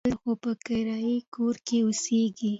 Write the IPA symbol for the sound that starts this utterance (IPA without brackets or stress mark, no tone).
l